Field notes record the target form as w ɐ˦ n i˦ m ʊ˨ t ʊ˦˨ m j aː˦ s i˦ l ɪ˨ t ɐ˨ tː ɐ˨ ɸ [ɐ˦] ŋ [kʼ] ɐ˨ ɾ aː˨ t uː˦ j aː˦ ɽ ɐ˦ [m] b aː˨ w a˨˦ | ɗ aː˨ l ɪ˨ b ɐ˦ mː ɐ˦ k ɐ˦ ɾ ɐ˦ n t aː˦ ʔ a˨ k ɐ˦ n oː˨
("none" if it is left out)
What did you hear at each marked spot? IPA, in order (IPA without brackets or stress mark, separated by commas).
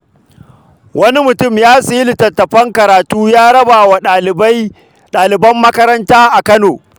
ɐ˦, k, none